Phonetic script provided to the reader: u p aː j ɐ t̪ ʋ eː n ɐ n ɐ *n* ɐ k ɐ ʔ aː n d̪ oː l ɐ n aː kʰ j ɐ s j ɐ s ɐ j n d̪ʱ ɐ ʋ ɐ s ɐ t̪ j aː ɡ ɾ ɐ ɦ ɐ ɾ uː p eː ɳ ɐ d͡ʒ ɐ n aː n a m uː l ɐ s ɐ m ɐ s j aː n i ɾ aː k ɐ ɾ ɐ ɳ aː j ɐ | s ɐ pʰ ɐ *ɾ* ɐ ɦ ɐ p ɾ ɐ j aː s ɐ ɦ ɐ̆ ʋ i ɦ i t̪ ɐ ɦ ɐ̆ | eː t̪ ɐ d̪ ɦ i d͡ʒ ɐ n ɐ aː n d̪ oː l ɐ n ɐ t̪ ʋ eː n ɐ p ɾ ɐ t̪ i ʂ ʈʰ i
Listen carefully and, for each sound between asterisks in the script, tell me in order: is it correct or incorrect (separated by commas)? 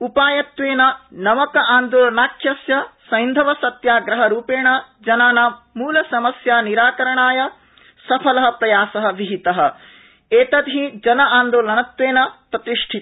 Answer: incorrect, incorrect